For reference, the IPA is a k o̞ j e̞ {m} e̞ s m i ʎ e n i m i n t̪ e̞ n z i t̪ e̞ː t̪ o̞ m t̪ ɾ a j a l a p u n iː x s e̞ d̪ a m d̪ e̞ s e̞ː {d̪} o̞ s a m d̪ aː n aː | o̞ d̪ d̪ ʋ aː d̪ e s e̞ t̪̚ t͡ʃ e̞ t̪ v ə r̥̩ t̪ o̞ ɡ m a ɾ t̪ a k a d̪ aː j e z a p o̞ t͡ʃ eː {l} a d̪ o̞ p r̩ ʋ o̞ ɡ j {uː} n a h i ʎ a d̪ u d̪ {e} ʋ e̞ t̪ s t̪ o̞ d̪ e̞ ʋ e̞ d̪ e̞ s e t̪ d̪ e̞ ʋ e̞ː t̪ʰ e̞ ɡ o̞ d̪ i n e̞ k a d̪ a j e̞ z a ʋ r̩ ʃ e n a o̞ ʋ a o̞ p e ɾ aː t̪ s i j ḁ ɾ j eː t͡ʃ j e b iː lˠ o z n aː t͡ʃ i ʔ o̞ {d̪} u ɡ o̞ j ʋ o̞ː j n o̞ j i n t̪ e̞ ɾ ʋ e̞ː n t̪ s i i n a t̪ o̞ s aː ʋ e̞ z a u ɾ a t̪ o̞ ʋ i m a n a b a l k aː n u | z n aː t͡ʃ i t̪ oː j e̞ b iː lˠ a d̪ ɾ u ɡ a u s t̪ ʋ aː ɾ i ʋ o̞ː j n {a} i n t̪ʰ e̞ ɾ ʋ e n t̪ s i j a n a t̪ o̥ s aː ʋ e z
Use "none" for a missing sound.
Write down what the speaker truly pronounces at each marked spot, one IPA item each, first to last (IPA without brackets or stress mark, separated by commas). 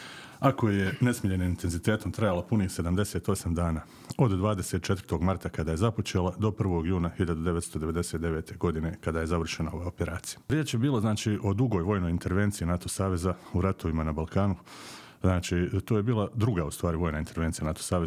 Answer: n, t̪, l, uː, e, d̪, a